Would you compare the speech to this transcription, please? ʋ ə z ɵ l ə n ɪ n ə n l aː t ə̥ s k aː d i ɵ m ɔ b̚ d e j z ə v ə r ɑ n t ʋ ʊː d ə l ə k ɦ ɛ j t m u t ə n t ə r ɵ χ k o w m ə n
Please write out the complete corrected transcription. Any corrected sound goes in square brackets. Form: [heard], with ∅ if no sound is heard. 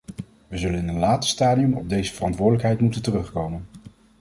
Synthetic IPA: ʋ ə z ɵ l ə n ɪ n ə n l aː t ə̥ s [t] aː d i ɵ m ɔ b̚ d e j z ə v ə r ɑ n t ʋ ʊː d ə l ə k ɦ ɛ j t m u t ə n t ə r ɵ χ k o w m ə n

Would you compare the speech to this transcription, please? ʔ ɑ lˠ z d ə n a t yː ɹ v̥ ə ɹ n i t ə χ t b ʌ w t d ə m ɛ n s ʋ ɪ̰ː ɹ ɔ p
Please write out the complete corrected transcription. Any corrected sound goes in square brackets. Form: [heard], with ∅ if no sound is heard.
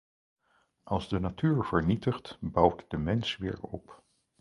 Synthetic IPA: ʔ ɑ lˠ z d ə n a t yː ɹ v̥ ə ɹ n i t ə χ t b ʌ w t d ə m ɛ n s ʋ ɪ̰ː ɹ ɔ p

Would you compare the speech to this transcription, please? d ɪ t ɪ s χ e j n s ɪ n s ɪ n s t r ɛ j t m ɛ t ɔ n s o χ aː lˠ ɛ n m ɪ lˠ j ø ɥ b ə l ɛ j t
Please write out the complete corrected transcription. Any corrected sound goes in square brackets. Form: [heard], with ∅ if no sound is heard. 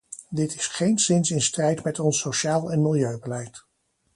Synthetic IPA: d ɪ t ɪ s χ e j n s ɪ n s ɪ n s t r ɛ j t m ɛ t ɔ n s o [ʃ] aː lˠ ɛ n m ɪ lˠ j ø ɥ b ə l ɛ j t

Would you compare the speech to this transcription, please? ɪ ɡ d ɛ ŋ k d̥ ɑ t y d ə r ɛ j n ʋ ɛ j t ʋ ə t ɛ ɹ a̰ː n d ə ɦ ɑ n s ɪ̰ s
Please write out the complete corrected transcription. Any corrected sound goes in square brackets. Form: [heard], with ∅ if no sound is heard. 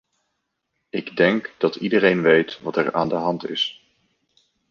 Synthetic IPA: ɪ ɡ d ɛ ŋ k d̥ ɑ t [i] d ə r [e] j n ʋ [e] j t ʋ [ɑ] t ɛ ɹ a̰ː n d ə ɦ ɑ n [t] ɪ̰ s

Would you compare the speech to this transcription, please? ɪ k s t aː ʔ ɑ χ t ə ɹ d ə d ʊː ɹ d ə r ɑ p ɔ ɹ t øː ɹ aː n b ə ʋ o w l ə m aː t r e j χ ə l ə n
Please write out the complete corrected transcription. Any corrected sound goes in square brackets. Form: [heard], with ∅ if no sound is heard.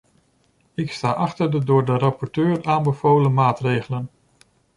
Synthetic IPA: ɪ k s t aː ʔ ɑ χ t ə ɹ d ə d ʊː ɹ d ə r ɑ p ɔ ɹ t øː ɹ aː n b ə [v] o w l ə m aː t r e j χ ə l ə n

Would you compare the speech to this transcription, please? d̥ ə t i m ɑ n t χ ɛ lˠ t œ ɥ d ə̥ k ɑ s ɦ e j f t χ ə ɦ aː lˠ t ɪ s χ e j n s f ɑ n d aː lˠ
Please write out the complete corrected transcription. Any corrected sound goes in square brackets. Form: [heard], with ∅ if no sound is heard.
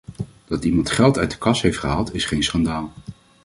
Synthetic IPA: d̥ [ɑ] t i m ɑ n t χ ɛ lˠ t œ ɥ d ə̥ k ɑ s ɦ e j f t χ ə ɦ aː lˠ t ɪ s χ e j n s [χ] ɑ n d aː lˠ

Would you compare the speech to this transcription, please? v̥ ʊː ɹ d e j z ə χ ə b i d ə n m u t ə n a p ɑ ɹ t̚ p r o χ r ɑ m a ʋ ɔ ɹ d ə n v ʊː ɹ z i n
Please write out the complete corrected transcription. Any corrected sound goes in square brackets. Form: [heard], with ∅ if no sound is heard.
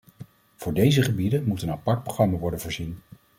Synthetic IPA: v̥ ʊː ɹ d e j z ə χ ə b i d ə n m u t ə n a p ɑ ɹ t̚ p r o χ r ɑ m a ʋ ɔ ɹ d ə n v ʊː ɹ z i n

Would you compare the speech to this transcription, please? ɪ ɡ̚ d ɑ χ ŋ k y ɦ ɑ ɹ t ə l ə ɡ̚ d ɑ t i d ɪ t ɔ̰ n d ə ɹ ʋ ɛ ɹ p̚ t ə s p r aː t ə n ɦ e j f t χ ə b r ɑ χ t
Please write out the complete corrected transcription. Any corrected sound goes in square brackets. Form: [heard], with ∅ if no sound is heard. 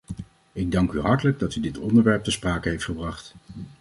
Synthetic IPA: ɪ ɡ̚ d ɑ [∅] ŋ k y ɦ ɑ ɹ t ə l ə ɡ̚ d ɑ t [y] d ɪ t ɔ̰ n d ə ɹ ʋ ɛ ɹ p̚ t ə s p r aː [k] ə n ɦ e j f t χ ə b r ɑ χ t

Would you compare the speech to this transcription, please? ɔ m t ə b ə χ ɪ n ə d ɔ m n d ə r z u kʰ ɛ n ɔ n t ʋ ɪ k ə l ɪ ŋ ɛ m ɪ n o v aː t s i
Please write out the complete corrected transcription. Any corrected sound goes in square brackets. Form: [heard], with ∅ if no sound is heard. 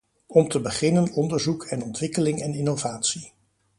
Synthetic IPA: ɔ m t ə b ə χ ɪ n ə [n] ɔ [∅] n d ə [ɹ] z u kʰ ɛ n ɔ n t ʋ ɪ k ə l ɪ ŋ ɛ [n] ɪ n o v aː t s i

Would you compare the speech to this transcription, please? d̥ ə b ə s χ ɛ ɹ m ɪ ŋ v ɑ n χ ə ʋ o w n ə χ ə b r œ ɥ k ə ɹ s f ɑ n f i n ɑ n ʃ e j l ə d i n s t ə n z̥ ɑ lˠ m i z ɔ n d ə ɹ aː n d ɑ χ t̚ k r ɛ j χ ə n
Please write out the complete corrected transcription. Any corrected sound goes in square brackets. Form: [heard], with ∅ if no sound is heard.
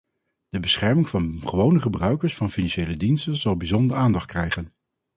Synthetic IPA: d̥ ə b ə s χ ɛ ɹ m ɪ ŋ v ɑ n χ ə ʋ o w n ə χ ə b r œ ɥ k ə ɹ s f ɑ n f i n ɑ n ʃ e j l ə d i n s t ə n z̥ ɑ lˠ [b] i z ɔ n d ə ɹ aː n d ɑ χ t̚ k r ɛ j χ ə n

